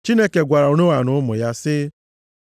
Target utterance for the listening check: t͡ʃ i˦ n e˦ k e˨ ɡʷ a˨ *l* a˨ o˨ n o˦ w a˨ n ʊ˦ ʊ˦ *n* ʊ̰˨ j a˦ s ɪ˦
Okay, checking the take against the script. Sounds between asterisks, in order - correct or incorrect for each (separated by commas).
incorrect, incorrect